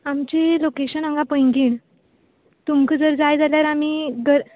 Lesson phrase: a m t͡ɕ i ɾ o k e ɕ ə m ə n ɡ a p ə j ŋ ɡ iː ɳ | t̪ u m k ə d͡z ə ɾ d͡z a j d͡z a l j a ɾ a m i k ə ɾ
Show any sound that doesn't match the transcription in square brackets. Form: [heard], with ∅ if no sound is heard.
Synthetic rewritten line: a m t͡ɕ i [l] o k e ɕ ə [n] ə [ŋ] ɡ a p ə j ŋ ɡ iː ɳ | t̪ u m k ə d͡z ə ɾ d͡z a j d͡z a l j a ɾ a m i [ɡ] ə ɾ